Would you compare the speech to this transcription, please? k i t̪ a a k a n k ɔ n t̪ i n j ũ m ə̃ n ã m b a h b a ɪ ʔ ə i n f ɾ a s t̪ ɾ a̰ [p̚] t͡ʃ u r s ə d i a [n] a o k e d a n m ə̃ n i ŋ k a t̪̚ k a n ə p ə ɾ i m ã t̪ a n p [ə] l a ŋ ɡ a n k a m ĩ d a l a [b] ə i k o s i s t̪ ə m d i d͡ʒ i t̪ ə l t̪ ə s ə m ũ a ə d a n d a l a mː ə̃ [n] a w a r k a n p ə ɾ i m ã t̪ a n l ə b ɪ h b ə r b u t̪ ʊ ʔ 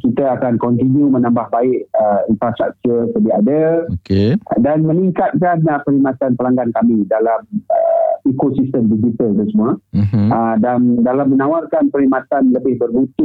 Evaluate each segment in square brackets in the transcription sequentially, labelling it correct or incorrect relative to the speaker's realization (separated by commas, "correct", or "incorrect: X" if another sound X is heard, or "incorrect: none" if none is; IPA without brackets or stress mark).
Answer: incorrect: k̚, incorrect: d, correct, incorrect: m, correct